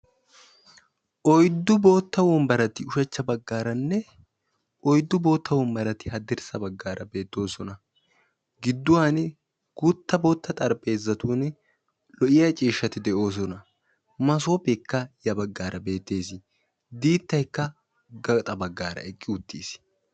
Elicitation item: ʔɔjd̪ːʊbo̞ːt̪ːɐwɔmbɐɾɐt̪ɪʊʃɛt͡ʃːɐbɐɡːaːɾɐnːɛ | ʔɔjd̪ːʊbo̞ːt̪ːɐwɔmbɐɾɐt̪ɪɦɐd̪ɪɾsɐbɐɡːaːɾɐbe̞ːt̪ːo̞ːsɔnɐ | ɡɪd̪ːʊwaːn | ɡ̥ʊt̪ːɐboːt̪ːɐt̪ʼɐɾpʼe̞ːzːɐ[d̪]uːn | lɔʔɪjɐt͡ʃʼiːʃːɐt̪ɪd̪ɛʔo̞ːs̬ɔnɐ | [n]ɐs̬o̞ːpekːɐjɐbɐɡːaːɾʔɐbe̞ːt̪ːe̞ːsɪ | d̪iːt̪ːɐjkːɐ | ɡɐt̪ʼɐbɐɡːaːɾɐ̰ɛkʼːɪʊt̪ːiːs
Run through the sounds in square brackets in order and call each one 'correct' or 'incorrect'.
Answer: incorrect, incorrect

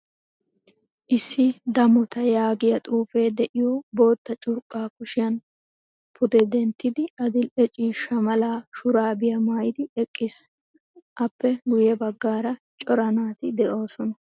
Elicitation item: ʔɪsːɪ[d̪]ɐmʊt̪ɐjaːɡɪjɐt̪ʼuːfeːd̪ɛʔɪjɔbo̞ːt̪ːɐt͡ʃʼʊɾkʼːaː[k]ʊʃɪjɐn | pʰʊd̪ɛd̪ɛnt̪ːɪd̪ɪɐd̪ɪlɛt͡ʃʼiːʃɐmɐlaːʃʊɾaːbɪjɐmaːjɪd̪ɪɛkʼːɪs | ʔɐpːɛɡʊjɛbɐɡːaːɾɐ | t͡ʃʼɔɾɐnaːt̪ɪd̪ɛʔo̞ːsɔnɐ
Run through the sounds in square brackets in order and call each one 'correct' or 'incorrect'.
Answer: correct, correct

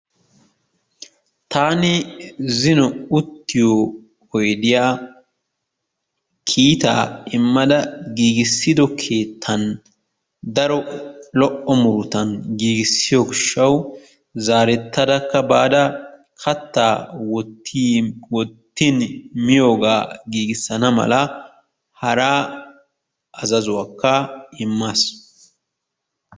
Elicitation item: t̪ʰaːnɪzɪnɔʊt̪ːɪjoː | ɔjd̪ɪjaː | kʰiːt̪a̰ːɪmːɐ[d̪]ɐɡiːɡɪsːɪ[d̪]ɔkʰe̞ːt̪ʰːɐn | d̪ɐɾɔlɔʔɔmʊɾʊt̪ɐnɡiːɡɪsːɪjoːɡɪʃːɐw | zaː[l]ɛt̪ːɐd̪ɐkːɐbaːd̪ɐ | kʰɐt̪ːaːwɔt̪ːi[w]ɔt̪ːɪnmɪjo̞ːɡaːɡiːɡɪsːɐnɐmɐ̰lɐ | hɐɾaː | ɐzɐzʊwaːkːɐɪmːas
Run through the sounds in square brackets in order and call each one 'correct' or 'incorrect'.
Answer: correct, correct, incorrect, correct

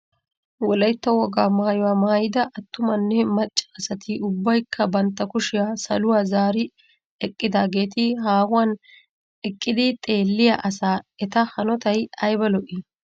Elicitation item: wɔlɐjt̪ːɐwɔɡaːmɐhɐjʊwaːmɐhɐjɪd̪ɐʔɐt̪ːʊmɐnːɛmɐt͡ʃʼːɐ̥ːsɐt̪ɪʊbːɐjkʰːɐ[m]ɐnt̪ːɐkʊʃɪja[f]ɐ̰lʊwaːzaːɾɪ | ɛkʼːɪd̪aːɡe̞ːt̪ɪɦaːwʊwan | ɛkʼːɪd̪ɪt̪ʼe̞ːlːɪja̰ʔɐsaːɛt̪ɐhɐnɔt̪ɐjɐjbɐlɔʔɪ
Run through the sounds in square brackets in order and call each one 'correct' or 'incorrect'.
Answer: incorrect, incorrect

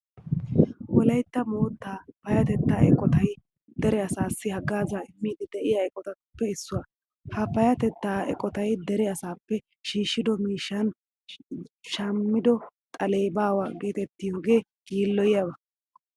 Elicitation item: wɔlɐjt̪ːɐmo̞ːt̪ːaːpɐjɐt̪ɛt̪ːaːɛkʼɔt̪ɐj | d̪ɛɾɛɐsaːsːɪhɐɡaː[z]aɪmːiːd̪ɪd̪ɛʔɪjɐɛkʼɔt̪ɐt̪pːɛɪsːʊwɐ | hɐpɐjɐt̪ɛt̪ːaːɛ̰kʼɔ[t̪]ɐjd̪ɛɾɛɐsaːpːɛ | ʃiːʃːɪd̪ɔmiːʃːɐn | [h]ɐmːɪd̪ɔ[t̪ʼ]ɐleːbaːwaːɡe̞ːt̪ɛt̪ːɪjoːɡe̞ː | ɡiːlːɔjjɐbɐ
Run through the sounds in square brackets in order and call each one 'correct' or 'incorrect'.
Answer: correct, correct, incorrect, correct

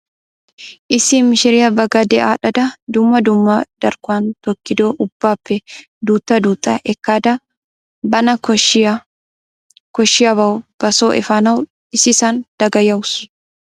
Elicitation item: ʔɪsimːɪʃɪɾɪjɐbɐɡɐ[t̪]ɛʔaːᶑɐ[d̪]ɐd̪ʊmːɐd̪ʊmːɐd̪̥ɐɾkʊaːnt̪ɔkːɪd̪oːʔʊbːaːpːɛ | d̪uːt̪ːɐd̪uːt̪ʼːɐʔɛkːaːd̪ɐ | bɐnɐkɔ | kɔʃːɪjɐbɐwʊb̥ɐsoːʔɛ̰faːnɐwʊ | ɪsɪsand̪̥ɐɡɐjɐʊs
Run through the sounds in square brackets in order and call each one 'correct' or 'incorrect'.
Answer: incorrect, correct

